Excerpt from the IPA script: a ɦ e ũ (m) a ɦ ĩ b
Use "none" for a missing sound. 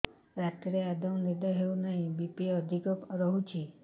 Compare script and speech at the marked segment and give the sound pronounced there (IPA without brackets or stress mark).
n